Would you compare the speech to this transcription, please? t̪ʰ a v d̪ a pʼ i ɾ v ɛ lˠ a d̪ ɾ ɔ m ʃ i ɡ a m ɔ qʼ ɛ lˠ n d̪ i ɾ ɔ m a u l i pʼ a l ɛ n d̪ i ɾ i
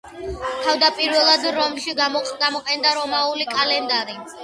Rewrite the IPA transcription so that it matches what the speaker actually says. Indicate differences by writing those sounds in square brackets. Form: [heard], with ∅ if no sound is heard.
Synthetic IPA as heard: t̪ʰ a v d̪ a pʼ i ɾ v ɛ lˠ a d̪ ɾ ɔ m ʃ i ɡ a m ɔ qʼ ɛ [∅] n d̪ [a] ɾ ɔ m a u l i [kʼ] a l ɛ n d̪ [a] ɾ i

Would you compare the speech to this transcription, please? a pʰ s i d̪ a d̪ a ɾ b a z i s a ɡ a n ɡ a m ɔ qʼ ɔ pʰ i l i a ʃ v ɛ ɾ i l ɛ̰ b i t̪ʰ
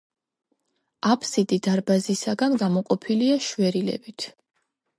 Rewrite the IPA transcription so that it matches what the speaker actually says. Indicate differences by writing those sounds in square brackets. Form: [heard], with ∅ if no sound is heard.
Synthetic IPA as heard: a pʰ s i d̪ [i] d̪ a ɾ b a z i s a ɡ a n ɡ a m ɔ qʼ ɔ pʰ i l i a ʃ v ɛ ɾ i l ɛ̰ b i t̪ʰ

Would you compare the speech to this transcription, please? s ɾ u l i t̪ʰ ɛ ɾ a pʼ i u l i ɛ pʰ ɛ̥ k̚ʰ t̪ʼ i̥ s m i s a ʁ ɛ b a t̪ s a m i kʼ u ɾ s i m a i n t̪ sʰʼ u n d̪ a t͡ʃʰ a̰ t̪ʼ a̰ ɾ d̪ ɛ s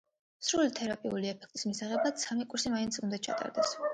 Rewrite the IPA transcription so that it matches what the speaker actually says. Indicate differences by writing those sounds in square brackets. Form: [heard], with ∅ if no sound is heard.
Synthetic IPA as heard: s ɾ u l i t̪ʰ ɛ ɾ a pʼ i u l i ɛ pʰ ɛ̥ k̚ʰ t̪ʼ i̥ s m i s a ʁ ɛ b a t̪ s a m i kʼ u ɾ s i m a i n t̪ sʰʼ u n d̪ a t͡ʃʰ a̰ t̪ʼ a̰ ɾ d̪ ɛ s

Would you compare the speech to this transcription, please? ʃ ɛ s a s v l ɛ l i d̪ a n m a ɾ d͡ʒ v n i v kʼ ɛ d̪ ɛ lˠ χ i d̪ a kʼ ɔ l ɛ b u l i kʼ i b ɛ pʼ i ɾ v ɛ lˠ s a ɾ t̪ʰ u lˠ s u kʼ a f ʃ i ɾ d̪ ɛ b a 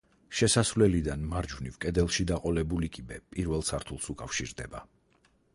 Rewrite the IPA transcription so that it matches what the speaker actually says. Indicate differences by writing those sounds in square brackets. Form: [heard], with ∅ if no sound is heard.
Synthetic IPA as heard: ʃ ɛ s a s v l ɛ l i d̪ a n m a ɾ d͡ʒ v n i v kʼ ɛ d̪ ɛ lˠ [ʃ] i d̪ a [qʼ] ɔ l ɛ b u l i kʼ i b ɛ pʼ i ɾ v ɛ lˠ s a ɾ t̪ʰ u lˠ s u kʼ a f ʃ i ɾ d̪ ɛ b a

